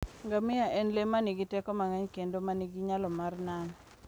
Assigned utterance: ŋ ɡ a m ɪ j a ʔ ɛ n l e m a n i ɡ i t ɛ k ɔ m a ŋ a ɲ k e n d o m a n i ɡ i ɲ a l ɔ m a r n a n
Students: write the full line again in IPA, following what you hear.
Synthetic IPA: ŋ ɡ a m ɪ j a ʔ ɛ n l e m a n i ɡ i t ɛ k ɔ m a ŋ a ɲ k e n d o m a n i ɡ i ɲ a l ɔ m a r n a n